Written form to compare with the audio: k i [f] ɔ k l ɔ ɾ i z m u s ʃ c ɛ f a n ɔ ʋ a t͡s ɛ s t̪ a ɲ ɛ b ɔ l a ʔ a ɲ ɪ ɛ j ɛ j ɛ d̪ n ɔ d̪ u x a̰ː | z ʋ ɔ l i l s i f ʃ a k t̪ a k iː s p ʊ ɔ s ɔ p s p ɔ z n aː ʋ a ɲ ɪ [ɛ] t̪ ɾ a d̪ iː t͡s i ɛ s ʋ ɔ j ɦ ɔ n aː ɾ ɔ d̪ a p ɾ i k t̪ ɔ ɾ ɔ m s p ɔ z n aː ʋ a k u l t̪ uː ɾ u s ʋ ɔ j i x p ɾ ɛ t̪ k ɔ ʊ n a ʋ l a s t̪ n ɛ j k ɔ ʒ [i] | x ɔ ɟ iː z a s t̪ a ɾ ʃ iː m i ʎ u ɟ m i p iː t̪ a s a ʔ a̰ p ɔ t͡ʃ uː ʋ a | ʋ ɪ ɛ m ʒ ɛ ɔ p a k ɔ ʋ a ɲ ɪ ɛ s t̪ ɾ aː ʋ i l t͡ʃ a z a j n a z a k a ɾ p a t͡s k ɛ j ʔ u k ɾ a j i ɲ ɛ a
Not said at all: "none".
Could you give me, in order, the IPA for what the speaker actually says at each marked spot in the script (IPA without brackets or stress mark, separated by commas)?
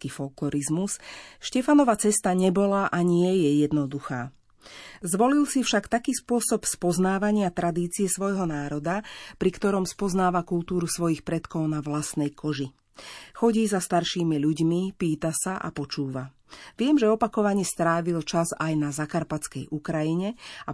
f, a, i